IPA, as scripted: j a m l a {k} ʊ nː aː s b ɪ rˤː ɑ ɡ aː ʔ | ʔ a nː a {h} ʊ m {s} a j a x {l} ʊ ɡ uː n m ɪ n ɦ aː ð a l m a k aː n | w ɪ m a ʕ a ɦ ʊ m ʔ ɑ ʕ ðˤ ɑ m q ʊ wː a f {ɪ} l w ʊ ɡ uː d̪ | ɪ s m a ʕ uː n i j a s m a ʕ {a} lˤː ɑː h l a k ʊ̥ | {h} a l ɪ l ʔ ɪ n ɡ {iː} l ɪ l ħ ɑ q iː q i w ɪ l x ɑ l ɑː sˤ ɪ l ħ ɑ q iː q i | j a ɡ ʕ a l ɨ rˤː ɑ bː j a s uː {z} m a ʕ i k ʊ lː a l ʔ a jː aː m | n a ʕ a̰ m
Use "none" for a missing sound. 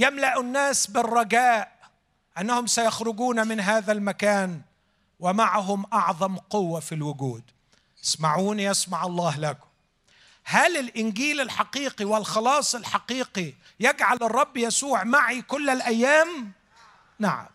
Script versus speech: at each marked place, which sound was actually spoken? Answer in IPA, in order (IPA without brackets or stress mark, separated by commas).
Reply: ʔ, h, s, ɾ, i, ɑ, h, iː, ʕ